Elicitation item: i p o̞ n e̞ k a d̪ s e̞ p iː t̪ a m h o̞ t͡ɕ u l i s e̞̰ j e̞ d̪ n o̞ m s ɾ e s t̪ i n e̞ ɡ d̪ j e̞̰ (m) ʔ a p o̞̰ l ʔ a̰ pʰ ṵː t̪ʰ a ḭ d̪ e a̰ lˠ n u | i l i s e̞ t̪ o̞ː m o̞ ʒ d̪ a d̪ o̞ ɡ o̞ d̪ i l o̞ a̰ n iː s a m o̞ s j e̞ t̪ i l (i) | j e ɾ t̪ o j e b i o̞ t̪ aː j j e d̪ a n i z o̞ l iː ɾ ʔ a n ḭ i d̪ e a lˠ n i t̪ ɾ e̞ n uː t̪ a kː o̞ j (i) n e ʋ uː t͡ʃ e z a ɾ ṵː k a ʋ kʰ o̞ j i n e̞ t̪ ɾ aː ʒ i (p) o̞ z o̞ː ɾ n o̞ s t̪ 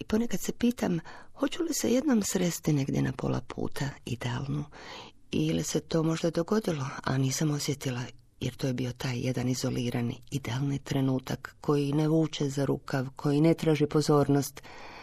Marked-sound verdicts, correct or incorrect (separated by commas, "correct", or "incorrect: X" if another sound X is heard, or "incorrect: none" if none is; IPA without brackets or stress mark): incorrect: n, incorrect: a, correct, correct